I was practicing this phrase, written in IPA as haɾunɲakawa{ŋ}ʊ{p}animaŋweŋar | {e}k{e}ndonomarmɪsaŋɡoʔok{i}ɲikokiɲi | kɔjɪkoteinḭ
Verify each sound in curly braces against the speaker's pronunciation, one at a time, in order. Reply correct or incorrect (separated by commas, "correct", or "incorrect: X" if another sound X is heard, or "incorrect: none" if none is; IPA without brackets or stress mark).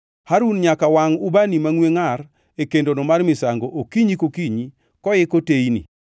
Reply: correct, incorrect: b, correct, correct, correct